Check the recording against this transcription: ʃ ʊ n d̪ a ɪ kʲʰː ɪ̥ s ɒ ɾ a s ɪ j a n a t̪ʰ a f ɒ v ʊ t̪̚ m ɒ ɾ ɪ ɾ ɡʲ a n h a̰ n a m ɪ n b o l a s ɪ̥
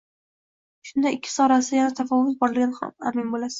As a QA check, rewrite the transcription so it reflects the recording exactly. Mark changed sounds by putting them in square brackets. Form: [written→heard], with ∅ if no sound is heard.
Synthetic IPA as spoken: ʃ ʊ n d̪ a ɪ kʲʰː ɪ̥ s ɒ ɾ a s ɪ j a n a t̪ʰ a f ɒ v ʊ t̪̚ [m→b] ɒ ɾ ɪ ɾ ɡʲ a n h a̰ [n→m] a m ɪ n b o l a s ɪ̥

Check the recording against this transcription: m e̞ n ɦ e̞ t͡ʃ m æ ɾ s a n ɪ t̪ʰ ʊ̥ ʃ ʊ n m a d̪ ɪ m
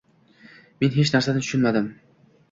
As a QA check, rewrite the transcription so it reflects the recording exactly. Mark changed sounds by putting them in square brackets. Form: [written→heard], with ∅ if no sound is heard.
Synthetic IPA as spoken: m e̞ n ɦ e̞ t͡ʃ [m→n] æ ɾ s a n ɪ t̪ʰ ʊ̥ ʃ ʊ n m a d̪ ɪ m

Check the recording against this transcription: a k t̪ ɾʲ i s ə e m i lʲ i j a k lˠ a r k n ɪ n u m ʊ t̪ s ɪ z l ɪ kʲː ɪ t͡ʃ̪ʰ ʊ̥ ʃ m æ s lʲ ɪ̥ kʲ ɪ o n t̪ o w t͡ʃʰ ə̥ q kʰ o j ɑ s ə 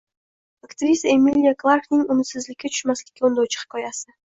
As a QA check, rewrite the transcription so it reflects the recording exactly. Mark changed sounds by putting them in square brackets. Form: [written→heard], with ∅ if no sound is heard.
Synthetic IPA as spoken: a k t̪ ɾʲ i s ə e m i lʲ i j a k lˠ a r k n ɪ [n→ŋ] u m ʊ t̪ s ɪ z l ɪ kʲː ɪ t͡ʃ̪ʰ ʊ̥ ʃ m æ s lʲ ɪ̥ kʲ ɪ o n [t̪→d̪] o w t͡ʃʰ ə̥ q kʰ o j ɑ s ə

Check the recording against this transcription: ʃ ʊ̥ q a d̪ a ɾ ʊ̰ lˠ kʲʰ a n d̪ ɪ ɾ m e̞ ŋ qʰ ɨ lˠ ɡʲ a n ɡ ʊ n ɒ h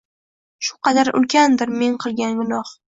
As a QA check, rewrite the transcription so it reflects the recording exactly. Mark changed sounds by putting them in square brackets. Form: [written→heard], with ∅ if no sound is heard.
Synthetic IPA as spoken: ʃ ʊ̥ q [a→ɑ] d̪ a ɾ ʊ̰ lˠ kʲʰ a n d̪ ɪ ɾ m e̞ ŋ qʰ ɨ lˠ ɡʲ a n ɡ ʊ n ɒ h

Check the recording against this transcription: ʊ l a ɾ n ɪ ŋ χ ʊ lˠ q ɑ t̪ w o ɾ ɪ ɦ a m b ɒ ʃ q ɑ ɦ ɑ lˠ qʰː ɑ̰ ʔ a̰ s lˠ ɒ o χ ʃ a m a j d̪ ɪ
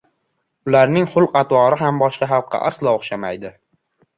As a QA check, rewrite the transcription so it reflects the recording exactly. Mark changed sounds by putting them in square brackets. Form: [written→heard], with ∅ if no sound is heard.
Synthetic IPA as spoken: ʊ l a ɾ n ɪ ŋ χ ʊ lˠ q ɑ t̪ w [o→ɒ] ɾ ɪ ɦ a m b ɒ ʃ q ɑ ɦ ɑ lˠ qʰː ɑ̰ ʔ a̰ s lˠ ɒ o χ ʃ a m a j d̪ ɪ

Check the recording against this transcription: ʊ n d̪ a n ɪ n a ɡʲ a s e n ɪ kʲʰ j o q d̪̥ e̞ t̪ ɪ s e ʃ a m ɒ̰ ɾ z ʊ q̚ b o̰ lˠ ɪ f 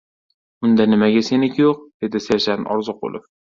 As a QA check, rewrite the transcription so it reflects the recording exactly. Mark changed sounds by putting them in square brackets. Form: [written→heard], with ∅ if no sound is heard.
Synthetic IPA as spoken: ʊ n d̪ a n ɪ [n→m] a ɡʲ a s e n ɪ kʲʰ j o q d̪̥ e̞ [t̪→d̪] ɪ s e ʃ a [m→n] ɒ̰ ɾ z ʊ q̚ b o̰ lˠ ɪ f

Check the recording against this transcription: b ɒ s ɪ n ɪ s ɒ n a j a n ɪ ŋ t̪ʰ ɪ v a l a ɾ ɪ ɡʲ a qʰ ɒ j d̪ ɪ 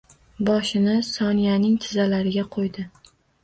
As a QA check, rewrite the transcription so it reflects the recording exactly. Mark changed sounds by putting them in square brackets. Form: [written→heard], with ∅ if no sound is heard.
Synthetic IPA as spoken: b ɒ [s→ʃ] ɪ n ɪ s ɒ n [a→i] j a n ɪ ŋ t̪ʰ ɪ [v→z] a l a ɾ ɪ ɡʲ a qʰ [ɒ→o] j d̪ ɪ

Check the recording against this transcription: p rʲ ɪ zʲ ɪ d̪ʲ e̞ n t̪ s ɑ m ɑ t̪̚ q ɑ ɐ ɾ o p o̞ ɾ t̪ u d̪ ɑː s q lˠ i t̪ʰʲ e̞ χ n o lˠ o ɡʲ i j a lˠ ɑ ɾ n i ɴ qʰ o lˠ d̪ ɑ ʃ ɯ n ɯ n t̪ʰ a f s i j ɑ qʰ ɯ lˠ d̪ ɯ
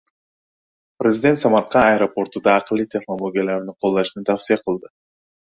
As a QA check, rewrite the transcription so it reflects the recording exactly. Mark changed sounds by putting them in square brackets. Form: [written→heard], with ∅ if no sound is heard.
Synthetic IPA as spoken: p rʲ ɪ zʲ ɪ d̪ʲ e̞ n t̪ s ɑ m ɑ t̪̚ q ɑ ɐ ɾ o p o̞ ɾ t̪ u d̪ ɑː [s→∅] q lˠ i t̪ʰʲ e̞ χ n o lˠ o ɡʲ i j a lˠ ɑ ɾ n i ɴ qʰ o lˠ d̪ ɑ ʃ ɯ n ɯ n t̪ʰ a f s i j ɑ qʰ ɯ lˠ d̪ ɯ

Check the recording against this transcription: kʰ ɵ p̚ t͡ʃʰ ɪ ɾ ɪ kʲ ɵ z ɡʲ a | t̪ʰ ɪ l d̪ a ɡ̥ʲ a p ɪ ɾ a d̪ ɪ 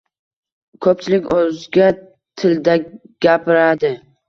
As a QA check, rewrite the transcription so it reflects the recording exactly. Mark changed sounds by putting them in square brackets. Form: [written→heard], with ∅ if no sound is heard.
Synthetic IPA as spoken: kʰ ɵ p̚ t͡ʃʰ ɪ [ɾ→l] ɪ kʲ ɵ z ɡʲ a | t̪ʰ ɪ l d̪ a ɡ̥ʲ a p ɪ ɾ a d̪ ɪ

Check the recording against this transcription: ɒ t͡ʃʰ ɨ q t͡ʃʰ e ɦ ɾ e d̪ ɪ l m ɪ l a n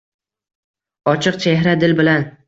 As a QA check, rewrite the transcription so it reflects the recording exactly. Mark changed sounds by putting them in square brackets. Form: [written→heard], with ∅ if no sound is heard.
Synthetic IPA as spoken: ɒ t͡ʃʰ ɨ q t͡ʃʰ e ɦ ɾ [e→a] d̪ ɪ l [m→b] ɪ l a n

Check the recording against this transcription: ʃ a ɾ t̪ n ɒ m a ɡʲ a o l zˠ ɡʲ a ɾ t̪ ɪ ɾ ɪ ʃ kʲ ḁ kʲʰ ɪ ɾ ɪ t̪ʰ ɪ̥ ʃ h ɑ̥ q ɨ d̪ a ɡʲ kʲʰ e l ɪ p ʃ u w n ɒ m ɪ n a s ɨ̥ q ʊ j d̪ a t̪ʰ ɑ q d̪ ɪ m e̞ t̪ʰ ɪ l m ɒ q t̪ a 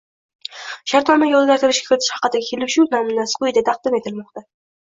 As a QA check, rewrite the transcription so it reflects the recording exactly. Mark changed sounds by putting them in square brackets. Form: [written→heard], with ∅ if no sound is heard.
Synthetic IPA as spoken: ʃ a ɾ t̪ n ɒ m a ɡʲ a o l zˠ ɡʲ a ɾ t̪ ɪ ɾ ɪ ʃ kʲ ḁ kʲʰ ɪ ɾ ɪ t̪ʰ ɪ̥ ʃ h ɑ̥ q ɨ d̪ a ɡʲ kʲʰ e l ɪ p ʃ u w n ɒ m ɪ n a s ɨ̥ q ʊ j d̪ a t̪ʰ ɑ q d̪ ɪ m e̞ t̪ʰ ɪ l m ɒ q t̪ a

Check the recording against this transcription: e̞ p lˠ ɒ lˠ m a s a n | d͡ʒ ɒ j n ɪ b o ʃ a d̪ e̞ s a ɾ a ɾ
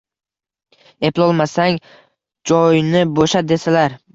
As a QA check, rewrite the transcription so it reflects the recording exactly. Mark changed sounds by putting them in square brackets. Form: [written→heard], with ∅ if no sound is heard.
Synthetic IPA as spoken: e̞ p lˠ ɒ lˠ m a s a [n→ŋ] | d͡ʒ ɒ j n ɪ b o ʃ a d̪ e̞ s a [ɾ→l] a ɾ

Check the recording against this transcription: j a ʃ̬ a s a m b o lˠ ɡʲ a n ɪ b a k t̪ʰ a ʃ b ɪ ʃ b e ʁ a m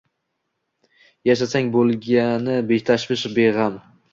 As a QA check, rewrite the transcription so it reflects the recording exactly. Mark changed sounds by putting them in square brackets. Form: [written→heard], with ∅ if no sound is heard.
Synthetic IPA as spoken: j a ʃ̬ a s a [m→ŋ] b o lˠ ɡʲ a n ɪ b [a→e] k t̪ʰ a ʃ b ɪ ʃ b e ʁ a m

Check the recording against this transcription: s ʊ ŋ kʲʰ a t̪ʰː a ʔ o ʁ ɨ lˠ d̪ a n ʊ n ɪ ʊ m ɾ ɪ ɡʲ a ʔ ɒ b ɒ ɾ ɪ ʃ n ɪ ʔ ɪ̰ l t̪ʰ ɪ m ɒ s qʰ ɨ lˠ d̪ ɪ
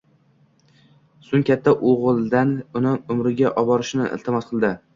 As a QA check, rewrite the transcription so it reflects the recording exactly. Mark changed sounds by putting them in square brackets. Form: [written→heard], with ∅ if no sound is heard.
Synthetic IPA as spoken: s ʊ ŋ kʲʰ a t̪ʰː a ʔ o ʁ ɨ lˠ d̪ a n ʊ n ɪ ʊ m ɾ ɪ ɡʲ a ʔ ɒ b ɒ ɾ ɪ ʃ n ɪ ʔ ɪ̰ l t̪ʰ ɪ m ɒ s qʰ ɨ lˠ d̪ ɪ

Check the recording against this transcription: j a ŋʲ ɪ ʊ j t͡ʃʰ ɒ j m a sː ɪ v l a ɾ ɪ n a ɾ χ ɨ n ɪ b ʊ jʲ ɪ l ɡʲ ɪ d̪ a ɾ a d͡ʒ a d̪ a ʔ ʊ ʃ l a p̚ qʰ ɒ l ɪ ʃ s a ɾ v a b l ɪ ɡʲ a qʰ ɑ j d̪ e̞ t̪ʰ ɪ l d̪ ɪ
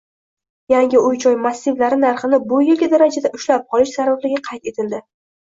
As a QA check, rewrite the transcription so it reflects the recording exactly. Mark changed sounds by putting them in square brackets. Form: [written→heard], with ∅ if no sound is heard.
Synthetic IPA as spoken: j a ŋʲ ɪ ʊ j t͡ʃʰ ɒ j m a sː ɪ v l a ɾ ɪ n a ɾ χ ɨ n ɪ b ʊ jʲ ɪ l ɡʲ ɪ d̪ a ɾ a d͡ʒ a d̪ a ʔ ʊ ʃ l a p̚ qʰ ɒ l ɪ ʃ s a ɾ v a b l ɪ ɡʲ a qʰ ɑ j [d̪→t̪] e̞ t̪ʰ ɪ l d̪ ɪ

